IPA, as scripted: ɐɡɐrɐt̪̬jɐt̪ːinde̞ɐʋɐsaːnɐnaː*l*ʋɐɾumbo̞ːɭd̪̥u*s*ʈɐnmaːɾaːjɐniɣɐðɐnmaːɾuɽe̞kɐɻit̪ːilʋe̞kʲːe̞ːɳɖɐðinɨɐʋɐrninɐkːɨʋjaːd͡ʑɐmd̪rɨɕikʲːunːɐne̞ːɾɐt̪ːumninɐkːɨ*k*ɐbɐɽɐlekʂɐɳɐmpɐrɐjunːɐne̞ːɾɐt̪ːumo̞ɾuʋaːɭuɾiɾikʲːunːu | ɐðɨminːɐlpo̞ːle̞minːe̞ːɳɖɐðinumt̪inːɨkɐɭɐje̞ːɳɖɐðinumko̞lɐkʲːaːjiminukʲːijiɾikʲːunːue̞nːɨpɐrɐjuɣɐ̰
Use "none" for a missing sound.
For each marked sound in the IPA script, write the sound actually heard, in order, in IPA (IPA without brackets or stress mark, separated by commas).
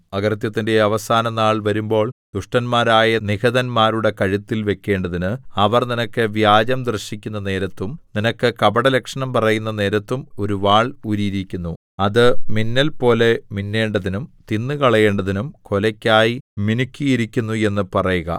ɭ, ʂ, k